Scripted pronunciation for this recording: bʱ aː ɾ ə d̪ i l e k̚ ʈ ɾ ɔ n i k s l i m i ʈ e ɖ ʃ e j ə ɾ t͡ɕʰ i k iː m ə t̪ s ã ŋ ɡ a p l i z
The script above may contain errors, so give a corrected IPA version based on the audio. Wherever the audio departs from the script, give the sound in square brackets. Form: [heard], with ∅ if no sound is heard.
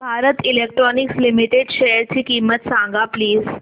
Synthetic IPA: bʱ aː ɾ ə [t̪] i l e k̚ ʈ ɾ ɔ n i k s l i m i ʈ e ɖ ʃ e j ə ɾ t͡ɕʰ i k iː m ə t̪ s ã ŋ ɡ a p l [iː] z